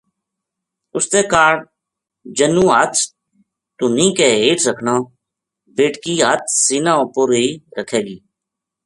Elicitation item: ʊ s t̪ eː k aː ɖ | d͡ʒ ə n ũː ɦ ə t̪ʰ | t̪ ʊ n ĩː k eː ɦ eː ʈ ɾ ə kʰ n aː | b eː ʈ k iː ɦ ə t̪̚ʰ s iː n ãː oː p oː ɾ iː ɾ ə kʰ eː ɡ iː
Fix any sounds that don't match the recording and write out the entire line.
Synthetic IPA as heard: ʊ s t̪ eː k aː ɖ | d͡ʒ ə n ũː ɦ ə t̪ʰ | t̪ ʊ n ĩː k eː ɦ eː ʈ ɾ ə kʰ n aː | b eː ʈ k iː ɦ ə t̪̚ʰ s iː n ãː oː p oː ɾ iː ɾ ə kʰ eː ɡ iː